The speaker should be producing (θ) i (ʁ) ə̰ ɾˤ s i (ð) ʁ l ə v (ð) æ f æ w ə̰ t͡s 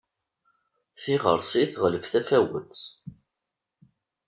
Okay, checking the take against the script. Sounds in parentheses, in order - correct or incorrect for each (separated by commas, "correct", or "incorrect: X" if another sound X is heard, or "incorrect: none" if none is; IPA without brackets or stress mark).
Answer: correct, correct, incorrect: θ, incorrect: θ